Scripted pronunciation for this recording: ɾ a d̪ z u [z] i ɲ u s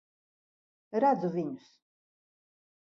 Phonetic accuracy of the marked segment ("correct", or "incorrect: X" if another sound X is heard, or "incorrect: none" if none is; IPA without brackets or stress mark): incorrect: v